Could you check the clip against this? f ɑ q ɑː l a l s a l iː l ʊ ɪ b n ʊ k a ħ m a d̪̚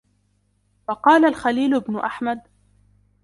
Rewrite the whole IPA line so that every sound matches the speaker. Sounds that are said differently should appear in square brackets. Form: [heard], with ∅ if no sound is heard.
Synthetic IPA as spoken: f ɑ q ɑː l a l [x] a l iː l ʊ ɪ b n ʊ [ʔ] a ħ m a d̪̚